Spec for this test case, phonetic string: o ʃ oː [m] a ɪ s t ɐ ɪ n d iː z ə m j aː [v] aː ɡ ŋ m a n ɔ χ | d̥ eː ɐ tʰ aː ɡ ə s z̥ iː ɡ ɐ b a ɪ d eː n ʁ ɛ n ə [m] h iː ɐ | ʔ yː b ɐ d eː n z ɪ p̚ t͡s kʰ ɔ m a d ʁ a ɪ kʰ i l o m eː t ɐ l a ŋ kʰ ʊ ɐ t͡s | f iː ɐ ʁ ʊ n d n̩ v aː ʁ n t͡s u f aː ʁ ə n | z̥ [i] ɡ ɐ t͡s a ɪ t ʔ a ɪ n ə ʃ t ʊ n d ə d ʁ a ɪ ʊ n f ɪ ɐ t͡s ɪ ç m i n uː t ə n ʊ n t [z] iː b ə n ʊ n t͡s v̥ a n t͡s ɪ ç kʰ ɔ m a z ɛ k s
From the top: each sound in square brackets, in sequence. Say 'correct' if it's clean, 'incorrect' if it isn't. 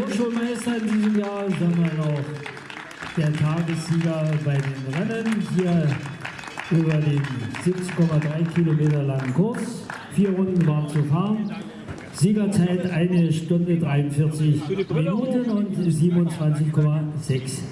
correct, incorrect: z, incorrect: n, incorrect: iː, correct

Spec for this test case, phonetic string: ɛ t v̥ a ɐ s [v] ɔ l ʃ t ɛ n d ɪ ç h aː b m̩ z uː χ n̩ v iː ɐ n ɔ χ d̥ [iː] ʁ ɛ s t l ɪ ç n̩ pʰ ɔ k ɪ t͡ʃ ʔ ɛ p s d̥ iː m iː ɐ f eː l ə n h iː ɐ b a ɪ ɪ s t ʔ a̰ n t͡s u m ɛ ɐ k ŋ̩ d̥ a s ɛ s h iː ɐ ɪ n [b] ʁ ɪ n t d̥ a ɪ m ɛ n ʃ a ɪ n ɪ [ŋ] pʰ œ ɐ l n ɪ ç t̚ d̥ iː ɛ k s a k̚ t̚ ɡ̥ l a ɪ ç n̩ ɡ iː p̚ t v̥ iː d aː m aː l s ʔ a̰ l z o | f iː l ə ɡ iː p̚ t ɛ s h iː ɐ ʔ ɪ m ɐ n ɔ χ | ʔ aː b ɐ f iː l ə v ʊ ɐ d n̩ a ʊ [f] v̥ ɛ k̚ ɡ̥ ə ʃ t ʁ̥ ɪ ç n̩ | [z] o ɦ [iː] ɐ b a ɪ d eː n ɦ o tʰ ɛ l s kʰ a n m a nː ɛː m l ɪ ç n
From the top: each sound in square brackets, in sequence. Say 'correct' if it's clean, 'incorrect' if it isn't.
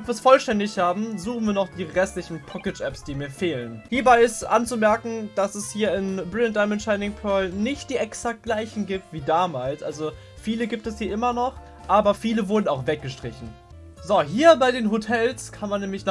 incorrect: f, correct, correct, correct, incorrect: x, correct, correct

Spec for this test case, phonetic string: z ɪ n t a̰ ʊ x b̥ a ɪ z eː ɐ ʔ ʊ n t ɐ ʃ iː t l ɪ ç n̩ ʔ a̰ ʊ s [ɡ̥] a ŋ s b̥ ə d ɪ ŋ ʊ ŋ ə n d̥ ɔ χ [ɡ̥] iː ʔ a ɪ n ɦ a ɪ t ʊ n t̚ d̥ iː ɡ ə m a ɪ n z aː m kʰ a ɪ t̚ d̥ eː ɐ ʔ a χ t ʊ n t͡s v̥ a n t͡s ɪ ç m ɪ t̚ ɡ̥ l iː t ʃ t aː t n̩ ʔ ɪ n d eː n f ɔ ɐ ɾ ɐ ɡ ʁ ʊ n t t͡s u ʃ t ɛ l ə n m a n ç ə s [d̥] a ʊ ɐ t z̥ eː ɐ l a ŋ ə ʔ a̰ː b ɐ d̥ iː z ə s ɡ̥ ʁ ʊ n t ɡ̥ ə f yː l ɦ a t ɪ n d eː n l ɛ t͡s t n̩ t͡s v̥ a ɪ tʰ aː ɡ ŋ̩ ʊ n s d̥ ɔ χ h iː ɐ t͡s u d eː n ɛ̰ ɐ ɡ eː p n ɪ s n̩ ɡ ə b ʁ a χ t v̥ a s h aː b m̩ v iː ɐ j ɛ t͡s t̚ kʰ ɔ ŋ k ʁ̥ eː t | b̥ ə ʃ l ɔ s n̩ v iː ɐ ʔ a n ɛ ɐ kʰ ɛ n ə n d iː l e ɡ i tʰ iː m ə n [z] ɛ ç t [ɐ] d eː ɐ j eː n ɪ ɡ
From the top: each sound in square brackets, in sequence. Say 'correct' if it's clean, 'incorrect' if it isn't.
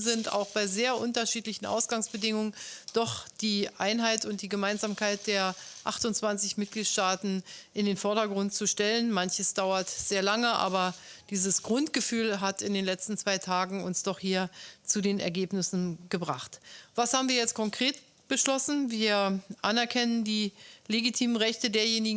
correct, incorrect: d̥, correct, incorrect: ʁ, incorrect: ə

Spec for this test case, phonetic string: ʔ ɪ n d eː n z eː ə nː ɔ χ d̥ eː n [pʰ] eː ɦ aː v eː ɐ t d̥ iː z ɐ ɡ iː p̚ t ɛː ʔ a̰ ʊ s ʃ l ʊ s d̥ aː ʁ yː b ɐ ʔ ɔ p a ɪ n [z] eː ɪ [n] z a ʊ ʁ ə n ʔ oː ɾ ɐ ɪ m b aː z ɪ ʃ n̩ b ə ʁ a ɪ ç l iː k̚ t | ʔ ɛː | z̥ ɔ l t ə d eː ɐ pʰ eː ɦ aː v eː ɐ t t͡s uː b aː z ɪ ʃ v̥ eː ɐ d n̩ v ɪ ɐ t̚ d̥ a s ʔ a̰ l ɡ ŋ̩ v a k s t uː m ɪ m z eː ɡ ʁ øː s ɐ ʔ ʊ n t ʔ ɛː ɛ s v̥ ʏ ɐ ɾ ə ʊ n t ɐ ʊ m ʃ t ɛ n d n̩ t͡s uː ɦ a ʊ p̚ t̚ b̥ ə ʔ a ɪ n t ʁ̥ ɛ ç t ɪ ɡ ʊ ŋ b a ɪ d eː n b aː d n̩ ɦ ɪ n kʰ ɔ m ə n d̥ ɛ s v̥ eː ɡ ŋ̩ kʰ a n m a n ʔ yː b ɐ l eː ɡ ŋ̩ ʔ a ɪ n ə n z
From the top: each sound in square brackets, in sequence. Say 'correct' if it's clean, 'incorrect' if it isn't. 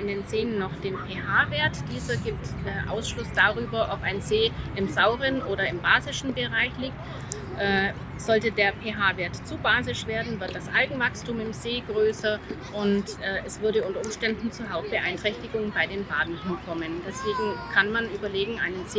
correct, correct, incorrect: m

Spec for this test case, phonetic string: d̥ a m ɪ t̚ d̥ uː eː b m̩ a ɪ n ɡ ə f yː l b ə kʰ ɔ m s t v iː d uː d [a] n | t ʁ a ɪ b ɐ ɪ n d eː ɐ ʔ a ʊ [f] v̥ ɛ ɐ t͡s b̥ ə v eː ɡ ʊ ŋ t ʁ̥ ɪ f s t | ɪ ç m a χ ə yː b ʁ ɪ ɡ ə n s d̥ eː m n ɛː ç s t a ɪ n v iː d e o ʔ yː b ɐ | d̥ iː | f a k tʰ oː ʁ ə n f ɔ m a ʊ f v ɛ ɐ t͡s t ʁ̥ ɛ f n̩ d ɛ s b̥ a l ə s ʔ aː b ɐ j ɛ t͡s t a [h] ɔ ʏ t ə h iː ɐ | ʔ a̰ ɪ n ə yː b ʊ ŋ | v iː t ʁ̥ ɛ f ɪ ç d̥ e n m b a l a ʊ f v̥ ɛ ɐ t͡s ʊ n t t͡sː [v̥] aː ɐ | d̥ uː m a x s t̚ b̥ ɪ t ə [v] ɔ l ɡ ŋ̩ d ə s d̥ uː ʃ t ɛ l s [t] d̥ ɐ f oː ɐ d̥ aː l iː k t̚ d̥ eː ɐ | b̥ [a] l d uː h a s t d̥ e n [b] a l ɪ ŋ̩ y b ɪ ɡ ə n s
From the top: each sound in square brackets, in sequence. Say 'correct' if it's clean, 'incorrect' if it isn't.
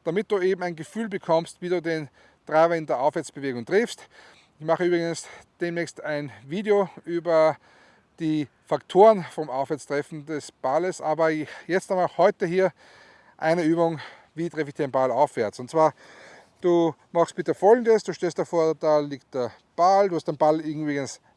incorrect: e, correct, correct, correct, incorrect: f, correct, correct, correct

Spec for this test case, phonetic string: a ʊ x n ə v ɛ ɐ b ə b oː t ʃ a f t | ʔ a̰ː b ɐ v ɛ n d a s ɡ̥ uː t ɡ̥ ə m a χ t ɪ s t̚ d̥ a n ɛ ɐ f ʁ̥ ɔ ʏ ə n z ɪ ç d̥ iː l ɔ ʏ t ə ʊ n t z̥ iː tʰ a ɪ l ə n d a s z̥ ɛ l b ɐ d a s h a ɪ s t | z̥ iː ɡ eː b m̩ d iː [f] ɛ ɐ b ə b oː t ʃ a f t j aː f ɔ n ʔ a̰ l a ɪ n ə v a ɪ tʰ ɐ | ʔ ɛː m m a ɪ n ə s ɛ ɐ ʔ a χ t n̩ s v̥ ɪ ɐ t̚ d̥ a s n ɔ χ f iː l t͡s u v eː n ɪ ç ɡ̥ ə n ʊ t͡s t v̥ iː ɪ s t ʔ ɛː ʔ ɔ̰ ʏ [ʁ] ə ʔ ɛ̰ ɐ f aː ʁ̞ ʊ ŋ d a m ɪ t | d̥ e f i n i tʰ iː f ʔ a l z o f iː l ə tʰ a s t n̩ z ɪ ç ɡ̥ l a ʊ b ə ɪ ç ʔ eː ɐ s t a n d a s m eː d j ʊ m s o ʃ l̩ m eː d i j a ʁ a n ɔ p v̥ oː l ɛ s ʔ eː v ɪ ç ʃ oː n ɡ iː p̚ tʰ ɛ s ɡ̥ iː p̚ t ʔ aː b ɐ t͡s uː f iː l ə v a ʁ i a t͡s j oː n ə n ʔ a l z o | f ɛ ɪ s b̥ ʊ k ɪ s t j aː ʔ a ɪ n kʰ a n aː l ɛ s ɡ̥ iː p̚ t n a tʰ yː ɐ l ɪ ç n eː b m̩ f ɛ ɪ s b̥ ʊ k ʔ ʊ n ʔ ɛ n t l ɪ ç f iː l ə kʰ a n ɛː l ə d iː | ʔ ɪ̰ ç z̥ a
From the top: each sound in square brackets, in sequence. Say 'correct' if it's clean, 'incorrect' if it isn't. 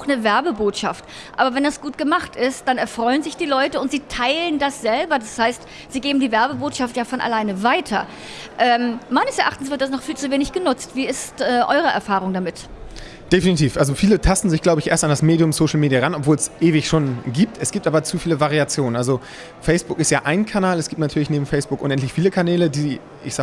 incorrect: v, correct

